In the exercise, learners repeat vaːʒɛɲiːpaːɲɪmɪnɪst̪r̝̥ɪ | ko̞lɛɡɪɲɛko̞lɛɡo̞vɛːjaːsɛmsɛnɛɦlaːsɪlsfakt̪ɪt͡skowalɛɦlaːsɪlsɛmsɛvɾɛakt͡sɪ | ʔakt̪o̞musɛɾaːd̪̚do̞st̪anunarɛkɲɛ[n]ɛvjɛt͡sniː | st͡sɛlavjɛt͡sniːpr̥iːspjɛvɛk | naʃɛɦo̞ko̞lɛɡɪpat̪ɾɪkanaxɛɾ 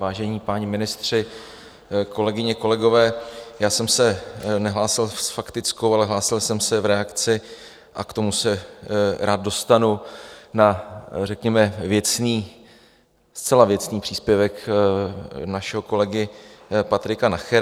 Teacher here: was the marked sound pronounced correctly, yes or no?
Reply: no